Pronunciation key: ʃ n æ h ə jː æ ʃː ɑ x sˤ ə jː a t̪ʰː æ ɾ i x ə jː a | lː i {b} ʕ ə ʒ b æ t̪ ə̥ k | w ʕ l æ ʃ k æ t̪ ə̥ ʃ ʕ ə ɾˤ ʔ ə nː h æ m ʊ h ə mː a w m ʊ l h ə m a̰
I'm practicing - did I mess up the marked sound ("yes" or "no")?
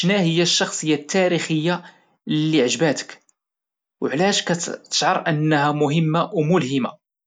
yes